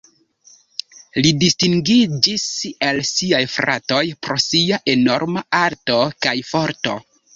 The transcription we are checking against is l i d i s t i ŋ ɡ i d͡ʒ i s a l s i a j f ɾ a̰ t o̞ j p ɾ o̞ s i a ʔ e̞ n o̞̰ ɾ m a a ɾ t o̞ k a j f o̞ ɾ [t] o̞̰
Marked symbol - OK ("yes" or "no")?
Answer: yes